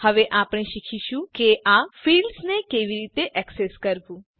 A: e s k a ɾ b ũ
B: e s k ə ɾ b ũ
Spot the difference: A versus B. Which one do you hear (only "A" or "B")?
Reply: B